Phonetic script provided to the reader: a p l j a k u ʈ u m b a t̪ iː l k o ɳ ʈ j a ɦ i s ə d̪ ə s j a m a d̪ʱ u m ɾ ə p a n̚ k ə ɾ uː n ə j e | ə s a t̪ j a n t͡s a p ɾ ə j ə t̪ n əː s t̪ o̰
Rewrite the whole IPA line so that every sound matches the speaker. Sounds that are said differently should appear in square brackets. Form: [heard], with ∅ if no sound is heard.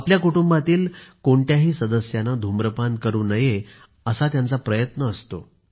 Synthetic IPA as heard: a p l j a k u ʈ u m b a t̪ iː l k o ɳ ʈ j a ɦ [iː] s ə d̪ ə s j a [n] a d̪ʱ u m ɾ ə p a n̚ k ə ɾ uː n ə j e | ə s a t̪ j a n t͡s a p ɾ ə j ə t̪ n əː s t̪ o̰